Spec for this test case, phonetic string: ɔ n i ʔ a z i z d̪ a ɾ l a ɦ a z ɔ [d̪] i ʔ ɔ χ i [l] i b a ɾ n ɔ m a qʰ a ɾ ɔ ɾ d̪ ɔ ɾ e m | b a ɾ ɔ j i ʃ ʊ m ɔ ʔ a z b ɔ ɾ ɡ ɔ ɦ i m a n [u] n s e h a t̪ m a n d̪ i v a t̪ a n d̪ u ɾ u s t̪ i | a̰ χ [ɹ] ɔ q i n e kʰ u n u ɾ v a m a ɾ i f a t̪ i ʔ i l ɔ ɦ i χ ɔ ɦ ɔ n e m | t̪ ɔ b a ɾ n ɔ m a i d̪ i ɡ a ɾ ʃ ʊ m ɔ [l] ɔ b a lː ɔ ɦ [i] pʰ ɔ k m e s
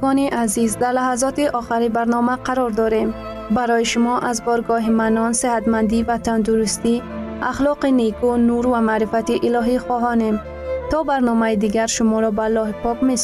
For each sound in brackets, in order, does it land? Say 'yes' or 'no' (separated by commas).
no, no, no, no, no, yes